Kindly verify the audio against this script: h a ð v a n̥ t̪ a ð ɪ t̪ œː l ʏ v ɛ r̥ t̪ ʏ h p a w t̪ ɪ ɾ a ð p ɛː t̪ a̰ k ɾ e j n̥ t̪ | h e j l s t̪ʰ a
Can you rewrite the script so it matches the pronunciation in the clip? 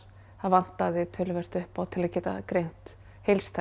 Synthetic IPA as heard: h a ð v a n̥ t̪ a ð ɪ t̪ʰ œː l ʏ v ɛ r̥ t̪ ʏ h p a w t̪ʰ ɪ l a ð c ɛː t̪ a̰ k ɾ e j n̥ t̪ | h e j l s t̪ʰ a

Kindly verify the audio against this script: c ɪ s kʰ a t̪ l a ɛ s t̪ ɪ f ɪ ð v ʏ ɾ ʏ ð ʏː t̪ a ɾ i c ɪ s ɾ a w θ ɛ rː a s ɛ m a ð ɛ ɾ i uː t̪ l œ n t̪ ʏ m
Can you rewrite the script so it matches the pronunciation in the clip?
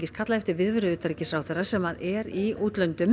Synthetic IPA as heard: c ɪ s kʰ a t̪ l a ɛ f t̪ ɪ v ɪ ð v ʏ ɾ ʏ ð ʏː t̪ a ɾ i c ɪ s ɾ a w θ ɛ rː a s ɛ m a ð ɛ ɾ i uː t̪ l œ n t̪ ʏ m

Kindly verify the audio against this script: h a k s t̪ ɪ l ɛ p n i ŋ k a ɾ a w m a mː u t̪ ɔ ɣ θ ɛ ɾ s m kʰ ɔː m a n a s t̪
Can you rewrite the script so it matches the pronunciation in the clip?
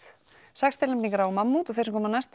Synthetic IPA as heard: s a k s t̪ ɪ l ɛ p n i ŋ k a ɾ a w m a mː u t̪ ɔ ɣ θ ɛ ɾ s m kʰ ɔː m a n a s t̪

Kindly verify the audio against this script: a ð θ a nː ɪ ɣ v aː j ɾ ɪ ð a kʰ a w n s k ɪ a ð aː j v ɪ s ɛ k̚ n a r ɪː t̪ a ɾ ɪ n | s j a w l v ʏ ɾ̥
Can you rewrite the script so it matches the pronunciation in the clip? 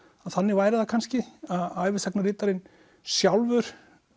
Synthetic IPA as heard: a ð θ a nː ɪ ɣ v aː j ɾ ɪ ð a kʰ a n s c ɪ a ð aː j v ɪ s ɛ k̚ n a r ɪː t̪ a ɾ ɪ n | s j a w l v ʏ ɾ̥

